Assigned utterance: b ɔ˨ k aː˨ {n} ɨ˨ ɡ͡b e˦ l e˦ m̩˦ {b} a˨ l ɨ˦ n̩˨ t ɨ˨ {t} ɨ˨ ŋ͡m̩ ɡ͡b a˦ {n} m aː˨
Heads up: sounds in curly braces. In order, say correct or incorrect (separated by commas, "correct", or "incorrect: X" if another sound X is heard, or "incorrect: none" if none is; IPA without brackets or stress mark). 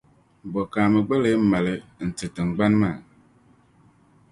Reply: incorrect: m, incorrect: m, correct, correct